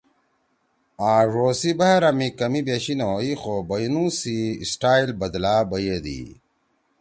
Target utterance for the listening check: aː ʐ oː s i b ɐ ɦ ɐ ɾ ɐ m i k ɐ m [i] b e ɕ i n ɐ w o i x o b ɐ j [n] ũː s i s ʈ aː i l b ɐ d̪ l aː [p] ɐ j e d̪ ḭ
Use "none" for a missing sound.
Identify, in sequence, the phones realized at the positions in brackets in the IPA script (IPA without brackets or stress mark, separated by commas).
i, n, b